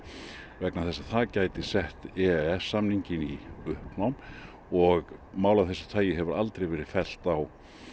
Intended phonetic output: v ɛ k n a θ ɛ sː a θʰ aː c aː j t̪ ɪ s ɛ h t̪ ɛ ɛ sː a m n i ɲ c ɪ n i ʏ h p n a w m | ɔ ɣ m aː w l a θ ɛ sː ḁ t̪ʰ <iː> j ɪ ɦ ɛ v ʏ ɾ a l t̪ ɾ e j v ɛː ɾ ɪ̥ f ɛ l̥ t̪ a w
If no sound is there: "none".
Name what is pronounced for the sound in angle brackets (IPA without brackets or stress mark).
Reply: aː